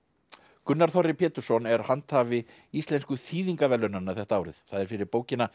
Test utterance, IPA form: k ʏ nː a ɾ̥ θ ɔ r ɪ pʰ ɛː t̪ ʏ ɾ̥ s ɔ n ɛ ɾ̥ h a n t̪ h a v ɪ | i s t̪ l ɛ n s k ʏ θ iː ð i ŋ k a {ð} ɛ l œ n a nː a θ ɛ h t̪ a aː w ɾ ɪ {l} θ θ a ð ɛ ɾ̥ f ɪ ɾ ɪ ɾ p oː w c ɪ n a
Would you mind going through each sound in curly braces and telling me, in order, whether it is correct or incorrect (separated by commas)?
incorrect, incorrect